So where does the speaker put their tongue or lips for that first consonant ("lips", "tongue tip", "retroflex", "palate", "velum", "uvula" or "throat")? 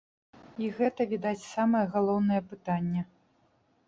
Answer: velum